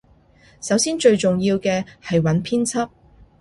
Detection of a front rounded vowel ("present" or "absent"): absent